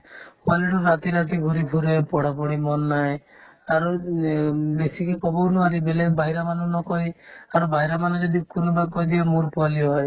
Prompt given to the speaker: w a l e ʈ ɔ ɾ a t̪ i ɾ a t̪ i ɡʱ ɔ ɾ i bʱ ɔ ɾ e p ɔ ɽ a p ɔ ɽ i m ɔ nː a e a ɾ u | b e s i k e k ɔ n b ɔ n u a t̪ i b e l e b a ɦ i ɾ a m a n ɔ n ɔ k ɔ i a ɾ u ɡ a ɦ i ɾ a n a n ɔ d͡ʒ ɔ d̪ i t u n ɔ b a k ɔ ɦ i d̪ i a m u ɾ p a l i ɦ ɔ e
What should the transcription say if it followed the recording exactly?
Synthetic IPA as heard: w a l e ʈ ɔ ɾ a t̪ i ɾ a t̪ i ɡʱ u ɾ i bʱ u ɾ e p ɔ ɽ a p ɔ ɽ i m ɔ nː a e a ɾ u | b e s i k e k ɔ b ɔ n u a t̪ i b e l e b a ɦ i ɾ a m a n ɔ n ɔ k ɔ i a ɾ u b a ɦ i ɾ a m a n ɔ d͡ʒ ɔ d̪ i k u n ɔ b a k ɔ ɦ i d̪ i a m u ɾ p a l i ɦ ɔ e